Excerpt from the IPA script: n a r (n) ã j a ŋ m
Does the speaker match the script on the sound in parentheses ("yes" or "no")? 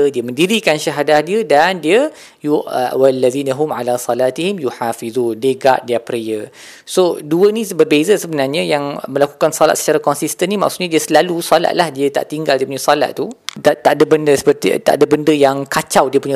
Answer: no